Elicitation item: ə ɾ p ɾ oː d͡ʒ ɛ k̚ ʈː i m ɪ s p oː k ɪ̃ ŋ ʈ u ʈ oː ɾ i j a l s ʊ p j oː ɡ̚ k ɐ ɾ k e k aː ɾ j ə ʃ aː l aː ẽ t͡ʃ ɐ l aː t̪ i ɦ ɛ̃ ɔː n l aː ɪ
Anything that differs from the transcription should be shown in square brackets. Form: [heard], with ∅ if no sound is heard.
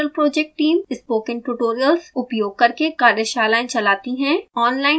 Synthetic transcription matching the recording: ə [l] p ɾ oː d͡ʒ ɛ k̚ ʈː [iː] m ɪ s p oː k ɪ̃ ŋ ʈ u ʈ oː ɾ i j [ə] l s ʊ p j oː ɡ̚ k ɐ ɾ k e k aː ɾ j ə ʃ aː l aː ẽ t͡ʃ ɐ l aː t̪ i ɦ ɛ̃ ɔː n l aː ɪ